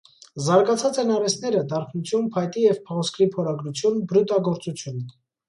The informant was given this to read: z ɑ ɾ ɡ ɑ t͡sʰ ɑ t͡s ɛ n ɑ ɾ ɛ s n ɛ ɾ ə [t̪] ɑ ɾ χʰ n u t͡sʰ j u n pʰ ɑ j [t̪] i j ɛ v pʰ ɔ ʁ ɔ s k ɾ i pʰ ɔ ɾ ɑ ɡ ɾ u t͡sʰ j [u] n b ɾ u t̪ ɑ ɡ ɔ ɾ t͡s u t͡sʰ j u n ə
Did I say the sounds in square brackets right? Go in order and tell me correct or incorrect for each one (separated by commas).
incorrect, correct, correct